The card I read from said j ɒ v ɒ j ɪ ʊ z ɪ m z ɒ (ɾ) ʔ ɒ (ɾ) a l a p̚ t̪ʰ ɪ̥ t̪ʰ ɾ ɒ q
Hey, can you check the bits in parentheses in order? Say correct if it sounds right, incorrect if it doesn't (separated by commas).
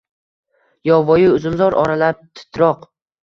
correct, correct